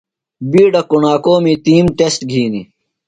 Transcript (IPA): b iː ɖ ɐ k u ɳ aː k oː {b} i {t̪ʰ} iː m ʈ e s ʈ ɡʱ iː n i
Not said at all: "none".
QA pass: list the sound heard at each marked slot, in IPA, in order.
m, t̪

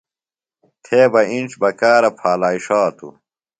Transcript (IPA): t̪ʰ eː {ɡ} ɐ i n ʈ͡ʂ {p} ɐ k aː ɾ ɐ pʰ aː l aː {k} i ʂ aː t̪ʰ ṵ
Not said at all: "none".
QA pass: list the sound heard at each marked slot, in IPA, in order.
b, b, none

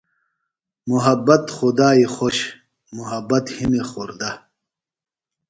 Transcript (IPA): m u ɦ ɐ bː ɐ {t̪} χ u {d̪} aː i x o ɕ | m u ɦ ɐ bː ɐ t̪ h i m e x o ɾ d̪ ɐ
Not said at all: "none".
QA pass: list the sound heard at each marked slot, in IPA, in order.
t̪, d̪

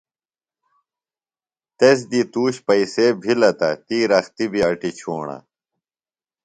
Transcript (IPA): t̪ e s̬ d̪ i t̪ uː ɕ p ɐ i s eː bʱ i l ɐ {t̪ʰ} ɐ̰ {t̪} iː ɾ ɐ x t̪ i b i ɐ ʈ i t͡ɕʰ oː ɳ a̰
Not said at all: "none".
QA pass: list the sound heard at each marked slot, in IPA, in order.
t̪, t̪

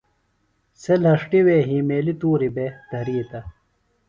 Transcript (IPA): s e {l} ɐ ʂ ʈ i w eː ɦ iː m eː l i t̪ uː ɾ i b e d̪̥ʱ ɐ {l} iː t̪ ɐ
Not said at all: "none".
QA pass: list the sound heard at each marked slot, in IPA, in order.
l, ɾ

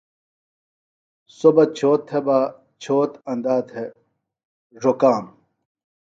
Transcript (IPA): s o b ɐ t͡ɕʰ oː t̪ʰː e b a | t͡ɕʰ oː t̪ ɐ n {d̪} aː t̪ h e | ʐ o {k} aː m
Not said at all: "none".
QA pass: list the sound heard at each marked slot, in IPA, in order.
d̪, k

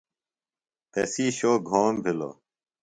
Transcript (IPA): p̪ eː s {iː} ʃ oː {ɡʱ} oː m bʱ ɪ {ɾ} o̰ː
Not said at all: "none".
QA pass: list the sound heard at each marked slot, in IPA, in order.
iː, ɡʱ, l

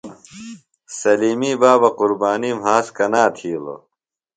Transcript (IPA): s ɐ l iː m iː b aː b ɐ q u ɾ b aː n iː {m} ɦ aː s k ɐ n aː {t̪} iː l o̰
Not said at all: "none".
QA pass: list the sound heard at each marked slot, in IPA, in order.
m, t̪ʰ

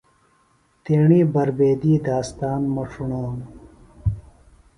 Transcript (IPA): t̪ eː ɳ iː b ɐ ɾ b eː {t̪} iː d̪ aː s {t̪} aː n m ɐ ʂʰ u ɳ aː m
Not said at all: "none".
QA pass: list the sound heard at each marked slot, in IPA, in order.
d̪, t̪

